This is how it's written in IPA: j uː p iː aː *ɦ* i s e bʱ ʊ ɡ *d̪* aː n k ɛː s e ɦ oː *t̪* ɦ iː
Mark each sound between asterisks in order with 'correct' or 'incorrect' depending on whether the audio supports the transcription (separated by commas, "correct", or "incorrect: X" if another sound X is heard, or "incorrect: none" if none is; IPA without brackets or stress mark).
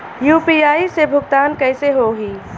incorrect: none, incorrect: t̪, incorrect: none